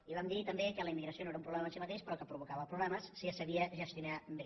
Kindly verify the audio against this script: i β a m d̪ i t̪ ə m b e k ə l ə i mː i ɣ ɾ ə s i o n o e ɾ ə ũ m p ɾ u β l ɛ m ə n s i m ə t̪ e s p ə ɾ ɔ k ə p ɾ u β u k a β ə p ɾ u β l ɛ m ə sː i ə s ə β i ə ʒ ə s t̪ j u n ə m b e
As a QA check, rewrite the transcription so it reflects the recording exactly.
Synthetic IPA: i β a m d̪ i t̪ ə m b e k ə l ə i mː i ɣ ɾ ə s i o n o e ɾ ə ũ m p ɾ u β l ɛ m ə n s i m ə t̪ e ʃ p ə ɾ ɔ k ə p ɾ u β u k a β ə p ɾ u β l ɛ m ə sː i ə s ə β i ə ʒ ə s t̪ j u n a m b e